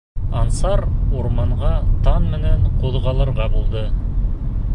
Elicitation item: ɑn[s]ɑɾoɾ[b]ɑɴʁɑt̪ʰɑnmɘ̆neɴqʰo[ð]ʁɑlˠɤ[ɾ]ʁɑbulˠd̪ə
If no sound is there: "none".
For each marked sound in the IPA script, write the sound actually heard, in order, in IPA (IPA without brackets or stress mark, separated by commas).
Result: s, m, ð, ɾ